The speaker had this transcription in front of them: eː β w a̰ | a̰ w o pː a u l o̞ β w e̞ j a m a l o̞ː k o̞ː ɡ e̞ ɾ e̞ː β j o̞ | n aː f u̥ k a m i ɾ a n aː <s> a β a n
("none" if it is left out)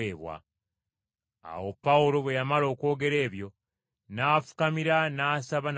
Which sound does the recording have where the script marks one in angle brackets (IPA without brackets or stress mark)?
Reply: s